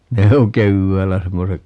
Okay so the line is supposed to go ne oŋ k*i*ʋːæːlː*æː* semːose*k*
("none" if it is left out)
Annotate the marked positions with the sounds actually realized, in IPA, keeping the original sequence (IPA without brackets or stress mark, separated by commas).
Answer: e, æ, k